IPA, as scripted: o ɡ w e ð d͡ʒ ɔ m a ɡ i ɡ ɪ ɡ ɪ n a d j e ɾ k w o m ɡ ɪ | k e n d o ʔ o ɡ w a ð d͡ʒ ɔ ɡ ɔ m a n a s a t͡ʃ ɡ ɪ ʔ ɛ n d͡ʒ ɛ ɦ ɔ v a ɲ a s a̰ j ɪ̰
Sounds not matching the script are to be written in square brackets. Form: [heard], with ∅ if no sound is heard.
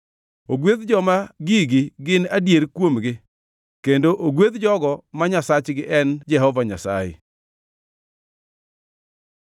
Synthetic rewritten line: o ɡ w e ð d͡ʒ ɔ m a ɡ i ɡ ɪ ɡ ɪ n a d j e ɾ k w o m ɡ ɪ | k e n d o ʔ o ɡ w [e] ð d͡ʒ ɔ ɡ ɔ m a [ɲ] a s a t͡ʃ ɡ ɪ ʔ ɛ n d͡ʒ ɛ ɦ ɔ v a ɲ a s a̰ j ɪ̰